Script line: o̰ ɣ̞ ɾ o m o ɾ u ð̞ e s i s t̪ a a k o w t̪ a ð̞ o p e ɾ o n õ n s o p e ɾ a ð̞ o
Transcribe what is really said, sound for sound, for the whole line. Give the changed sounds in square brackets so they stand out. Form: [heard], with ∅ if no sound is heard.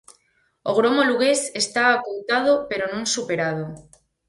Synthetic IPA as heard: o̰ ɣ̞ ɾ o m o [l] u [ɣ̞] e s [e] s t̪ a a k o w t̪ a ð̞ o p e ɾ o n õ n s [u] p e ɾ a ð̞ o